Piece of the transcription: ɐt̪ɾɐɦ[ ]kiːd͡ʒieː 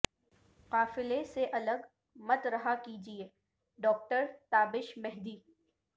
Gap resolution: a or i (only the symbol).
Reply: a